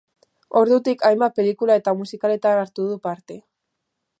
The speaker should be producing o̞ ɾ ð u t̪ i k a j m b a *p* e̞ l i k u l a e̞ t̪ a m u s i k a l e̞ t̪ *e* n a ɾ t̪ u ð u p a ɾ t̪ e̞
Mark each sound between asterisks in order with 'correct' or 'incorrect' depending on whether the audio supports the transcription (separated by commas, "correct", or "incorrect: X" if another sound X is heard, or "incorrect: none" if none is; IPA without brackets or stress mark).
correct, incorrect: a